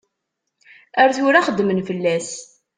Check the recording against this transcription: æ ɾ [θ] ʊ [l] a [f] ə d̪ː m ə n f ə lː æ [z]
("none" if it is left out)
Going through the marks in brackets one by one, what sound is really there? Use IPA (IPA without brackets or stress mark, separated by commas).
θ, ɾ, χ, s